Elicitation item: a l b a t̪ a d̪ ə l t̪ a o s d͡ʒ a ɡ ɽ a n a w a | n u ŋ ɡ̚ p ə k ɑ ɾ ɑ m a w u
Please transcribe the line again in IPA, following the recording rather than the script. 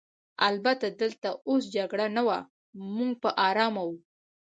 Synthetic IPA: a l b a t̪ a d̪ ə l t̪ a o s d͡ʒ a ɡ ɽ a n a w a | m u ŋ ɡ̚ p ə ʔ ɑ ɾ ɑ m a w u